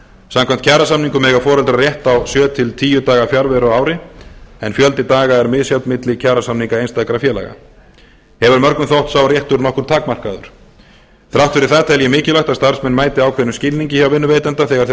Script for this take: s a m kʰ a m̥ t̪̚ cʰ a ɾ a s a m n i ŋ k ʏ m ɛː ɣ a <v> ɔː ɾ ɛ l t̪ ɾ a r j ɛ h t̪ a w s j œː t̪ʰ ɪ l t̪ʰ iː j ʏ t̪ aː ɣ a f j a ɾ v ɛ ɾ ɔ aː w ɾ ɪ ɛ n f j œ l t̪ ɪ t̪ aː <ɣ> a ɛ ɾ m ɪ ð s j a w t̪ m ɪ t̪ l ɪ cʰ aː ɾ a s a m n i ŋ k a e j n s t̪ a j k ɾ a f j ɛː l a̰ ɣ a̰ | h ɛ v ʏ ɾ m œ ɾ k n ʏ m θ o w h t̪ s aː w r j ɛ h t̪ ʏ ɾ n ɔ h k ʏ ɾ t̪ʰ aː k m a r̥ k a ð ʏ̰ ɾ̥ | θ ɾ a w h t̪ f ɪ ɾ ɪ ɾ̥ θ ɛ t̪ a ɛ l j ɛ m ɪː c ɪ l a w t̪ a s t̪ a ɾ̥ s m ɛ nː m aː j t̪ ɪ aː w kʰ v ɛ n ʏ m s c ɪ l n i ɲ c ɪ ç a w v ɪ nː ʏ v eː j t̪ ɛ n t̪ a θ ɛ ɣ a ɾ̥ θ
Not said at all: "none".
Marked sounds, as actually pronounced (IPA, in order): f, ɣ

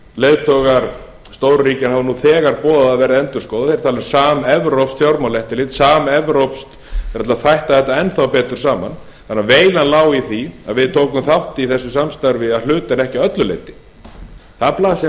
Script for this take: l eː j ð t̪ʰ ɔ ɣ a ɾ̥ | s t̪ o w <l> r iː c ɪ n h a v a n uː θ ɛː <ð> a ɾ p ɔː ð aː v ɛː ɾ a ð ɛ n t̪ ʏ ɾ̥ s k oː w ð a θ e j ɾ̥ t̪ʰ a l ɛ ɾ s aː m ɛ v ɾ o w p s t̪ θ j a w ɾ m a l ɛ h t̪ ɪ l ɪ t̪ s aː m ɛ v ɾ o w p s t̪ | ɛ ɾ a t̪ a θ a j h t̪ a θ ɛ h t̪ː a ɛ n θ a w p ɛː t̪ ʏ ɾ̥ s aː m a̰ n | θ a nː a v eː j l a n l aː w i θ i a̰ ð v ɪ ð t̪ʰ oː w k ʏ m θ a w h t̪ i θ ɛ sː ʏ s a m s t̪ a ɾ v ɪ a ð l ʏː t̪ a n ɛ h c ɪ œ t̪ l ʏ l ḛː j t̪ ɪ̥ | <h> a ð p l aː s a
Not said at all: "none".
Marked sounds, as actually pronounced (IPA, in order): ɾ, ɣ, θ

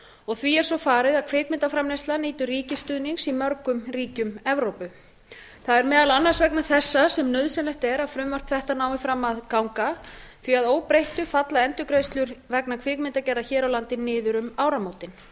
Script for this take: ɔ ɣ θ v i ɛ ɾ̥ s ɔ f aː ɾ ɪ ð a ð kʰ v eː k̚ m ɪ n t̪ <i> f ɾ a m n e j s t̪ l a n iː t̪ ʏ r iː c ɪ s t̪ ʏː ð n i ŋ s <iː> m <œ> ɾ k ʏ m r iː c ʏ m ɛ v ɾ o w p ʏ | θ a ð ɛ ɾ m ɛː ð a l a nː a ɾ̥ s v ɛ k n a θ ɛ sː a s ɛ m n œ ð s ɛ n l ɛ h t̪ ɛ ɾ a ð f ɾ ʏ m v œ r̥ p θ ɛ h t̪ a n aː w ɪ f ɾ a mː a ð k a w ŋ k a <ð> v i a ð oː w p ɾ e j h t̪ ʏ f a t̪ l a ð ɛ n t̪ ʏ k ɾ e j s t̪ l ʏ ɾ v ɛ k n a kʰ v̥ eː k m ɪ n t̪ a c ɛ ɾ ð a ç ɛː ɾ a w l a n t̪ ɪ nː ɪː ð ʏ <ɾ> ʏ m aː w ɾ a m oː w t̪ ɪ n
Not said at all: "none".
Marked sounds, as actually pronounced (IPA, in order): a, i, œ, θ, ɾ

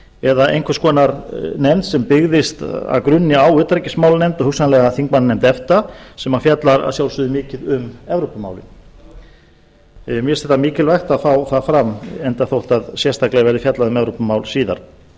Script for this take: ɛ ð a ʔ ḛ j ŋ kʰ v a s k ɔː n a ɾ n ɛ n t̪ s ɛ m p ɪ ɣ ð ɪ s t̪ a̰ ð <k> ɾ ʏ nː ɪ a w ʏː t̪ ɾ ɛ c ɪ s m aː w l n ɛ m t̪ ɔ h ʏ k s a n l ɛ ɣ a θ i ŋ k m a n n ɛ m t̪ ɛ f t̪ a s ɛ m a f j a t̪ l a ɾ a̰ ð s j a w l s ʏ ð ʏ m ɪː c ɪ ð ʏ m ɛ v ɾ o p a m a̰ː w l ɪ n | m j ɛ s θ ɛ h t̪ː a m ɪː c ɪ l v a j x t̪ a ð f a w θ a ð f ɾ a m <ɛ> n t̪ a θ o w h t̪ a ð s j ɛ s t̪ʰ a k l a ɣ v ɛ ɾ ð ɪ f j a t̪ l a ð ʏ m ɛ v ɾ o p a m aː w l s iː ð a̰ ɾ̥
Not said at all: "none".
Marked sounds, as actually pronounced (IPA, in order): k, ɛ

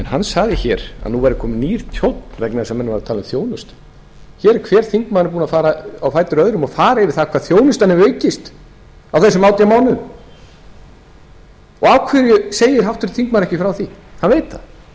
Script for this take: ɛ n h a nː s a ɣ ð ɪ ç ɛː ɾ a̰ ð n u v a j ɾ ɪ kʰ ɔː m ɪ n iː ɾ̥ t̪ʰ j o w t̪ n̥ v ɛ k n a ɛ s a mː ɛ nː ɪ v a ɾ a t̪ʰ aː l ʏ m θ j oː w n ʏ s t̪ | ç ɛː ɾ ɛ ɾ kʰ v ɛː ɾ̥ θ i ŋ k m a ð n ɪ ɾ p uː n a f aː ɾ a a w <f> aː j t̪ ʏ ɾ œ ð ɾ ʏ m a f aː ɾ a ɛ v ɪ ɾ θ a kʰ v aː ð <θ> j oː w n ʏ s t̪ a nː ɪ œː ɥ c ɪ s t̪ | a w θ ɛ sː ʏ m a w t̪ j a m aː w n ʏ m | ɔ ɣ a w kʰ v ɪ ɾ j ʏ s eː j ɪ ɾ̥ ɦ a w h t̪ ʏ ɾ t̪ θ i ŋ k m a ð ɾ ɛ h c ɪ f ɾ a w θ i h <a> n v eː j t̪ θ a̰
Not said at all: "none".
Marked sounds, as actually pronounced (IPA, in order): f, θ, a

